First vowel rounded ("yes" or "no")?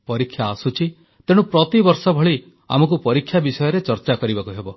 yes